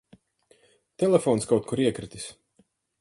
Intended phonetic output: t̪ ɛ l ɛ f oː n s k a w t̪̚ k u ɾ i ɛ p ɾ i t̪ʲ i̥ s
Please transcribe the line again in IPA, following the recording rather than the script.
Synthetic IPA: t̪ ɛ l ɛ f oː n s k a w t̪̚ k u ɾ i ɛ k ɾ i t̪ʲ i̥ s

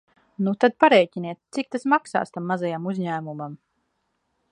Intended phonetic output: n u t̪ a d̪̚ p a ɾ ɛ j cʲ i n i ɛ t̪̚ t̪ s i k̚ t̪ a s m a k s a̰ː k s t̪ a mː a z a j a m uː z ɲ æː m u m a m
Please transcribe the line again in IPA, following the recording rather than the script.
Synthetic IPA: n u t̪ a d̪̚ p a ɾ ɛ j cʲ i n i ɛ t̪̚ t̪ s i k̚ t̪ a s m a k s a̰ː s t̪ a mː a z a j a m u z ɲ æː m u m a m

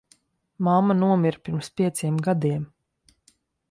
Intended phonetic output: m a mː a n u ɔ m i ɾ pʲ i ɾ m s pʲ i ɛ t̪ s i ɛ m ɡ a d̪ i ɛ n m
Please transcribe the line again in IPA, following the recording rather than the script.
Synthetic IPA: m a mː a n u ɔ m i ɾ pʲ i ɾ m s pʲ i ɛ t̪ s i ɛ m ɡ a d̪ i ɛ m

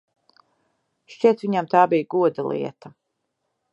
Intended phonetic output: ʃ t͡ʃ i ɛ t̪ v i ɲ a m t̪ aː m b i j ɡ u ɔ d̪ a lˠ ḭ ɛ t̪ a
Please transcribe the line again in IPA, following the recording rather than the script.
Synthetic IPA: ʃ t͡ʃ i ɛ t̪ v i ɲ a m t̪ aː b i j ɡ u ɔ d̪ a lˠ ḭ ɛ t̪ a

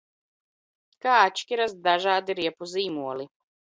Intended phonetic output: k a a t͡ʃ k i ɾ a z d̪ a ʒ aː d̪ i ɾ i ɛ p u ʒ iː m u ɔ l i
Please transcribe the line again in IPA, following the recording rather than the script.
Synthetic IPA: k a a t͡ʃ k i ɾ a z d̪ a ʒ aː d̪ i ɾ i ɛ p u z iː m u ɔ l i

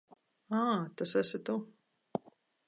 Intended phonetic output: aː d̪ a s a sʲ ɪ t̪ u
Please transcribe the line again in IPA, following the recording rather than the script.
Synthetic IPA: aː t̪ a s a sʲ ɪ t̪ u

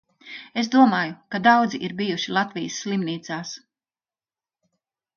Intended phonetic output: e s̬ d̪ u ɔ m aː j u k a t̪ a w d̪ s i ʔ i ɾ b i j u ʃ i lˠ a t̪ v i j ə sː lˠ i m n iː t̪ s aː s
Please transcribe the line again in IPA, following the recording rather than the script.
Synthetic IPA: e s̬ d̪ u ɔ m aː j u k a d̪ a w d̪ z i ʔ i ɾ b i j u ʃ i lˠ a t̪ v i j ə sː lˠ i m n iː t̪ s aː s

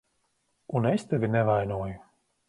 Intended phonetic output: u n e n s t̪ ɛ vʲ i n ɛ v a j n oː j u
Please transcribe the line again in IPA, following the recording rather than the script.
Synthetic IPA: u n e s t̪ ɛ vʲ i n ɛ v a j n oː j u

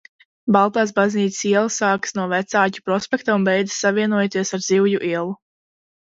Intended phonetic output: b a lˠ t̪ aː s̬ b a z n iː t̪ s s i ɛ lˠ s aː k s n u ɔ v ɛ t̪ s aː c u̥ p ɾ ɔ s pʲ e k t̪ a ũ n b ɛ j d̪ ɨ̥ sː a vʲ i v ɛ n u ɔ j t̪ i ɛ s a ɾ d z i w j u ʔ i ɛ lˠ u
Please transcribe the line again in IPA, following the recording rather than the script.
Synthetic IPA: b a lˠ t̪ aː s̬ b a z n iː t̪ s s i ɛ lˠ s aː k s n u ɔ v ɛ t̪ s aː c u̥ p ɾ ɔ s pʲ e k t̪ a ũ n b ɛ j d̪ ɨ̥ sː a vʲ i ɛ n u ɔ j t̪ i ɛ s a ɾ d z i w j u ʔ i ɛ lˠ u

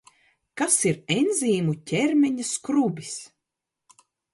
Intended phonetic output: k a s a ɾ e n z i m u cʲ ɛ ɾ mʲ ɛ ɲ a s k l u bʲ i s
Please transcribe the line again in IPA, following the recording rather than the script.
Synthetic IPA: k a s i ɾ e n z iː m u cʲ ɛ ɾ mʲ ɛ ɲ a s k ɾ u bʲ i s

